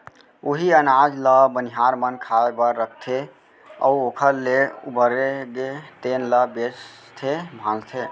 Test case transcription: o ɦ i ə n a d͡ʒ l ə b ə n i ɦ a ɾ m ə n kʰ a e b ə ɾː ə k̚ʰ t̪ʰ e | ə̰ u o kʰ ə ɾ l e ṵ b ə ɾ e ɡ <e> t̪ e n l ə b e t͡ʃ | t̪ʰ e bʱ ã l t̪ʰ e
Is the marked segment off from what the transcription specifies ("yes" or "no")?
no